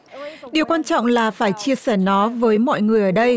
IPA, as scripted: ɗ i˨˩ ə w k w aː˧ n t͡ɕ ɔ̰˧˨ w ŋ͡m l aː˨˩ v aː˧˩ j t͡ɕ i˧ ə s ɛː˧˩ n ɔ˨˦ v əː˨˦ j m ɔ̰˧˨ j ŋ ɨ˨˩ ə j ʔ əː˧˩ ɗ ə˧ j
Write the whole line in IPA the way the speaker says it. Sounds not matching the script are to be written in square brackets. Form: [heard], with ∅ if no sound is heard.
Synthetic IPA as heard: ɗ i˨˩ ə w k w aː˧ n t͡ɕ ɔ̰˧˨ w ŋ͡m l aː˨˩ [f] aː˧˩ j t͡ɕ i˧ ə s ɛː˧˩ n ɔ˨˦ v əː˨˦ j m ɔ̰˧˨ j ŋ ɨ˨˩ ə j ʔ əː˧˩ ɗ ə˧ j